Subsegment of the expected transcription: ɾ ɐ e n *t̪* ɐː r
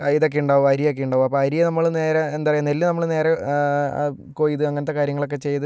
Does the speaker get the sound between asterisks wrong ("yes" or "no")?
yes